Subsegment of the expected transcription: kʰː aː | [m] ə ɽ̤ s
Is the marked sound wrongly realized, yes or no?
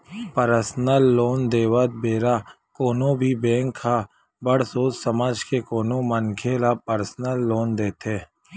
yes